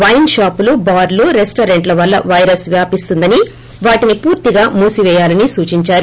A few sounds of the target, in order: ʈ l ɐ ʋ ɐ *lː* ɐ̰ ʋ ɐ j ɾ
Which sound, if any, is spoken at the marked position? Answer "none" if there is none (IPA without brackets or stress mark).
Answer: lː